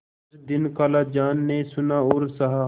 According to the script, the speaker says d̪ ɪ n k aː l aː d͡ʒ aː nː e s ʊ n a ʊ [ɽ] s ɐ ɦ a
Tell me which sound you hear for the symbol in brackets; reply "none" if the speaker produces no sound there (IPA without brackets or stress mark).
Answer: ɾ